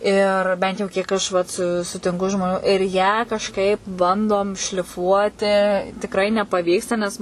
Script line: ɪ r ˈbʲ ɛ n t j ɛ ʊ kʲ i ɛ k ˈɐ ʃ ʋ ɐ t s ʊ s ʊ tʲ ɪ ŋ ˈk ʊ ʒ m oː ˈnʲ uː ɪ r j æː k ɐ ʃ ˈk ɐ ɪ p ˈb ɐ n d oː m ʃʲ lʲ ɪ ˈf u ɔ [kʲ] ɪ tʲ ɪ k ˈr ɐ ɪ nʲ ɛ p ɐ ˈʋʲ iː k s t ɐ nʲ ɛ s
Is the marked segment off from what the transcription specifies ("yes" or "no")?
yes